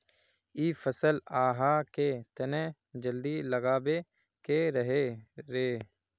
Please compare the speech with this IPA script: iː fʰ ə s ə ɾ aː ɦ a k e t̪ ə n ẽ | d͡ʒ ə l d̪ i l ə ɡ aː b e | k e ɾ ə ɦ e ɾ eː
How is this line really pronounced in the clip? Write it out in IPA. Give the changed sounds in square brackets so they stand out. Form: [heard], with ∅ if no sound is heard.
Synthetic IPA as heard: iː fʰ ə s ə [l] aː ɦ a k e t̪ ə n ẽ | d͡ʒ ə l d̪ i l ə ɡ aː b e | k e ɾ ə ɦ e ɾ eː